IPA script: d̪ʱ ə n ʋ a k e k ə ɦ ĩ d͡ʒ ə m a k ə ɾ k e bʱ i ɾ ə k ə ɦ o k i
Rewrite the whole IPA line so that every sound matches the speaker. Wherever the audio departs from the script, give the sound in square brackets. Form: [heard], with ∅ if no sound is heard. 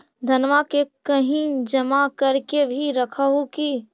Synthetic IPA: d̪ʱ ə n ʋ a k e k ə ɦ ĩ d͡ʒ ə m a k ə ɾ k e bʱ i ɾ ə [kʰ] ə ɦ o k i